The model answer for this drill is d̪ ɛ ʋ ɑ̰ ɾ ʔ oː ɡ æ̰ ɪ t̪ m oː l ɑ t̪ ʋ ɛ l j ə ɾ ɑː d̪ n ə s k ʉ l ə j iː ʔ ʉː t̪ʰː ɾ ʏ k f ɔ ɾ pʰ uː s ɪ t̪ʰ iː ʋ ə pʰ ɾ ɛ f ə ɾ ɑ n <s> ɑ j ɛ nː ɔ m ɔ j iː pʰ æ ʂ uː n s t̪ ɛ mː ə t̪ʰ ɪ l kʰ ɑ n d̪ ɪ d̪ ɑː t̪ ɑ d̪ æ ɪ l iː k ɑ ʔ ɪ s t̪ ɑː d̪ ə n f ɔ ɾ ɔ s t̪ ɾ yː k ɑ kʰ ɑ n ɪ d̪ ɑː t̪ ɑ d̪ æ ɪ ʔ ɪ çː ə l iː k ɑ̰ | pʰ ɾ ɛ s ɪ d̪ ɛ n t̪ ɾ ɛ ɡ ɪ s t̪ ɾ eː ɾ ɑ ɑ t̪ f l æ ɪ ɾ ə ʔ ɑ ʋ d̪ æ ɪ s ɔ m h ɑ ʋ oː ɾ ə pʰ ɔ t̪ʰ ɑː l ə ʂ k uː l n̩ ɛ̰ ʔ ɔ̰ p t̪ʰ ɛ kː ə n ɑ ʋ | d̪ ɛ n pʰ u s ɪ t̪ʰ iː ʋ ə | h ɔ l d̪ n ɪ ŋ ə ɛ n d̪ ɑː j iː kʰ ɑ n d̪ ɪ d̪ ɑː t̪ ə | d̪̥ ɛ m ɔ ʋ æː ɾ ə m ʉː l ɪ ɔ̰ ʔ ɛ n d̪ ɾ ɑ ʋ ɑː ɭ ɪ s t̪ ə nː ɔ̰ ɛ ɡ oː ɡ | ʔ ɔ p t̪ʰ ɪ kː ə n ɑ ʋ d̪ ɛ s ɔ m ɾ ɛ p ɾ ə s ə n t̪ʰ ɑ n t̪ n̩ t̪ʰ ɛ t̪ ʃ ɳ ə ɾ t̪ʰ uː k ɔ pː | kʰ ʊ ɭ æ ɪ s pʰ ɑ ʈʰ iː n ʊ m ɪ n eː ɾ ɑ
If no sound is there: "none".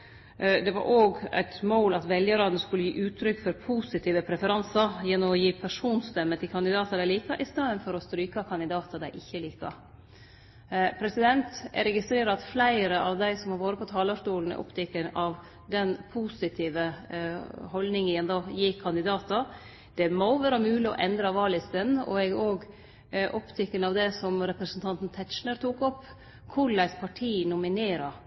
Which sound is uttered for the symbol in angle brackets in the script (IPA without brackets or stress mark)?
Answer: s